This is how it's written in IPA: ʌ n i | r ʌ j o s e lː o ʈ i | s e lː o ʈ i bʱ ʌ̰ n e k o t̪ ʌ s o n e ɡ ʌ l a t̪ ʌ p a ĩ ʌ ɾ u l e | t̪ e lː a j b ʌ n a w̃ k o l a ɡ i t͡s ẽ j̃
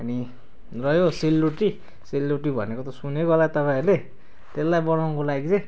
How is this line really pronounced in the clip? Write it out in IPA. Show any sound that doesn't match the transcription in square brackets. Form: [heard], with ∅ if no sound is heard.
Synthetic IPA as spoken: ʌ n i | r ʌ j o s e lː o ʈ i | s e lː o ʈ i bʱ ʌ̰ n e k o t̪ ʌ s [u] n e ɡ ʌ l a t̪ ʌ p a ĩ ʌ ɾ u l e | t̪ e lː a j b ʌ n a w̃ k o l a ɡ i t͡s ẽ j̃